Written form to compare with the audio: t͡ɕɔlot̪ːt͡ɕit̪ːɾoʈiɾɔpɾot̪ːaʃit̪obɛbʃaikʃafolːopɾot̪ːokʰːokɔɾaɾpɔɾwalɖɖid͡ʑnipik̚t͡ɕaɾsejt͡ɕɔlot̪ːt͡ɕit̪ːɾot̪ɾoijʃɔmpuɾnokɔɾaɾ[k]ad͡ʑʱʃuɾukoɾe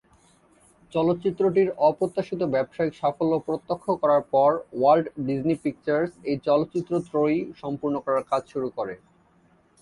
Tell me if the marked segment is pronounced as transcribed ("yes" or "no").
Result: yes